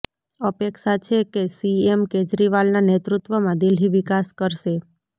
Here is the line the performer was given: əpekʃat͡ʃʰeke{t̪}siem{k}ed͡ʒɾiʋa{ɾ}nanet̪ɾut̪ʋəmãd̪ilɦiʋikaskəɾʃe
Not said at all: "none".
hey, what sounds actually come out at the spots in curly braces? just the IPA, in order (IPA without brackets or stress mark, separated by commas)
none, k, l